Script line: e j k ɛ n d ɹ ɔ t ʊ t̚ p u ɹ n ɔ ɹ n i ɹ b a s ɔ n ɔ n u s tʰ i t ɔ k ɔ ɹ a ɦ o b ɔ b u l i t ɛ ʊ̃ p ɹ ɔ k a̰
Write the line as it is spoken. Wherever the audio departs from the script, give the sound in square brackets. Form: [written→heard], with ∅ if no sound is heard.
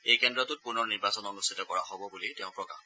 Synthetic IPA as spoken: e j k ɛ n d ɹ ɔ t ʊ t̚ p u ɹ n ɔ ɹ n i ɹ b a s ɔ n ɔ n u s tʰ i t ɔ k ɔ ɹ a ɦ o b ɔ b u l i t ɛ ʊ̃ p ɹ ɔ k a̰

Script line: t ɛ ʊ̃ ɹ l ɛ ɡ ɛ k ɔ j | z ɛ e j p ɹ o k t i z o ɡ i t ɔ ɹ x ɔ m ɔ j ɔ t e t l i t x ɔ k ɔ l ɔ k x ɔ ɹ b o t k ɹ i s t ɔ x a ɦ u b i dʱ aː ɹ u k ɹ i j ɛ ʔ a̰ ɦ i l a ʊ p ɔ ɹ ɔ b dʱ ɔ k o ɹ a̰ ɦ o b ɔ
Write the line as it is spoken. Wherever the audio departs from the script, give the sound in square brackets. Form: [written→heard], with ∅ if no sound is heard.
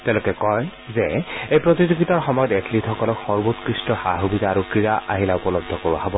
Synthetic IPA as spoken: t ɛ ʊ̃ [ɹ→∅] l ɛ [ɡ→k] ɛ k ɔ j | z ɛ e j p ɹ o [k→∅] t i z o ɡ i t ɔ ɹ x ɔ m ɔ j ɔ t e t l i t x ɔ k ɔ l ɔ k x ɔ ɹ b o t k ɹ i s t ɔ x a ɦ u b i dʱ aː ɹ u k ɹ i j [ɛ→a] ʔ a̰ ɦ i l a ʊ p ɔ [ɹ→l] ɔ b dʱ ɔ k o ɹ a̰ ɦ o b ɔ

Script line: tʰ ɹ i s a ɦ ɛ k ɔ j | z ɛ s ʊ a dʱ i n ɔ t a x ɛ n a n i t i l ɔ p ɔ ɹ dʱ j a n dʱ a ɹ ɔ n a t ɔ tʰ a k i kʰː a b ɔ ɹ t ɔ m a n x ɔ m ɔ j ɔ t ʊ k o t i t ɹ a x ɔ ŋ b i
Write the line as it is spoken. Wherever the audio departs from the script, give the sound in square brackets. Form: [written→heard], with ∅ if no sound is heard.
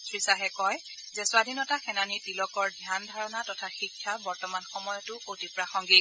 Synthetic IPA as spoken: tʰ ɹ i s a ɦ ɛ k ɔ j | z ɛ s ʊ a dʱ i n ɔ t a x ɛ n a n i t i l ɔ [p→k] ɔ ɹ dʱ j a n dʱ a ɹ ɔ n a t ɔ tʰ a [k→x] i kʰː a b ɔ ɹ t ɔ m a n x ɔ m ɔ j ɔ t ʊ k o t i [t→p] ɹ a x ɔ ŋ [b→ɡ] i

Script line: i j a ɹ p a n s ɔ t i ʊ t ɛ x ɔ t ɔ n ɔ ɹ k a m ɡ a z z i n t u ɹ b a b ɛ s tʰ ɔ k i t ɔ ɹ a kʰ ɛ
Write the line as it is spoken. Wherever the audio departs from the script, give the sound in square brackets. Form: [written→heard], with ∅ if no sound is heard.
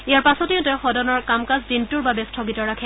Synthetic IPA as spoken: i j a ɹ p a [n→∅] s ɔ t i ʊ t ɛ x ɔ [t→d] ɔ n ɔ ɹ k a m [ɡ→k] a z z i n t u ɹ b a b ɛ s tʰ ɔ [k→ɡ] i t ɔ ɹ a kʰ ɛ

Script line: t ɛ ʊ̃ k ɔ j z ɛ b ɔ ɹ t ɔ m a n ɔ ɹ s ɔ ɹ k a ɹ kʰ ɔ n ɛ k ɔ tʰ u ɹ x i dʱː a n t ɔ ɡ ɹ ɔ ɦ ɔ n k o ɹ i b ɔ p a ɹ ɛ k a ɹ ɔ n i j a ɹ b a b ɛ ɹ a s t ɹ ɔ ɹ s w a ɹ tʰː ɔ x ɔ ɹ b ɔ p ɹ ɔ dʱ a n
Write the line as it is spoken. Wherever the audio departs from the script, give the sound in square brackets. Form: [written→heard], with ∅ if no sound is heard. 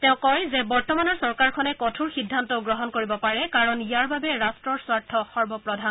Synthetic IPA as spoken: t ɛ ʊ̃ k ɔ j z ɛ b ɔ ɹ t ɔ m a n ɔ ɹ s ɔ ɹ k a ɹ kʰ ɔ n ɛ k ɔ tʰ u ɹ x i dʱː a n t ɔ ɡ ɹ ɔ ɦ ɔ n k o ɹ i b ɔ p a ɹ ɛ k a ɹ ɔ n i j a ɹ b a b ɛ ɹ a s t ɹ ɔ ɹ s w a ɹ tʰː ɔ x ɔ ɹ b ɔ p ɹ ɔ dʱ a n

